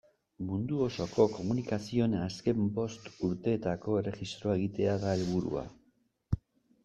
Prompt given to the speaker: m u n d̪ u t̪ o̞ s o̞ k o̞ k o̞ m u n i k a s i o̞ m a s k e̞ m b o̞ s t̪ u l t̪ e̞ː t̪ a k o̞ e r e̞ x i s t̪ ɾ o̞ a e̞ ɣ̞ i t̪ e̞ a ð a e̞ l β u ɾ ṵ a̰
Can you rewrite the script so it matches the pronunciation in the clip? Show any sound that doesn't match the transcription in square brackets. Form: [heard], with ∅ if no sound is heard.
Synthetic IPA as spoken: m u n d̪ u [∅] o̞ s o̞ k o̞ k o̞ m u n i k a s i o̞ [n] a s k e̞ m b o̞ s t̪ u [ɾ] t̪ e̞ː t̪ a k o̞ e r e̞ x i s t̪ ɾ o̞ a e̞ ɣ̞ i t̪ e̞ a ð a e̞ l β u ɾ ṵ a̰